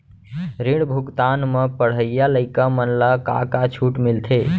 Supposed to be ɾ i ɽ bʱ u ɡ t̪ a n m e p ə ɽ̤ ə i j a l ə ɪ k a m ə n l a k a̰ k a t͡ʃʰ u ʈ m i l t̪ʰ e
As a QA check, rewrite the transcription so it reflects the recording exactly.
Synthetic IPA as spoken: ɾ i ɽ bʱ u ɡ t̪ a n m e p ə ɽ̤ ə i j a l ə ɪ k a m ə n l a k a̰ k a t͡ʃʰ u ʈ m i l t̪ʰ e